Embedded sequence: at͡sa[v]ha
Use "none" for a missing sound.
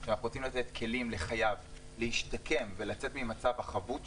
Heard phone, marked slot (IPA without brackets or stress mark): v